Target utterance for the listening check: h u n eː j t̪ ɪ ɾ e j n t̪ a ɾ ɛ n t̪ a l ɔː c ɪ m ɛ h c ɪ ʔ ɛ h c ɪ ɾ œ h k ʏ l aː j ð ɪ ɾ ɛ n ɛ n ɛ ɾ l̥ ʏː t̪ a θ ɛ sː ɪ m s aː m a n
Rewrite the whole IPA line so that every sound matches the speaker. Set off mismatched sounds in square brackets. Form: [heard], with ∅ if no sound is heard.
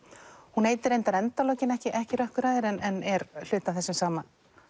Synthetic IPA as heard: h u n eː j t̪ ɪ ɾ e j n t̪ a ɾ ɛ n t̪ a l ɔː c ɪ [n] ɛ h c ɪ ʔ ɛ h c ɪ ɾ œ h k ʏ [ɾ] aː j ð ɪ ɾ ɛ n ɛ n ɛ ɾ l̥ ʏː t̪ a θ ɛ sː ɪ m s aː m a n